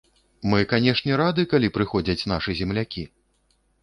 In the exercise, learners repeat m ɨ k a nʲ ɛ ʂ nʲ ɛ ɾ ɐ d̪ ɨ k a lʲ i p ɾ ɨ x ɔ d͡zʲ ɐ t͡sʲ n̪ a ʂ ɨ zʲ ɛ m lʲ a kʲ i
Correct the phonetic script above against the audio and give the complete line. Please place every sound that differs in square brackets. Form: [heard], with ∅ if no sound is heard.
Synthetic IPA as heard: m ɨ k a nʲ ɛ ʂ nʲ ɛ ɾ [a] d̪ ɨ k a lʲ i p ɾ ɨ x ɔ d͡zʲ ɐ t͡sʲ n̪ a ʂ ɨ zʲ ɛ m lʲ a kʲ i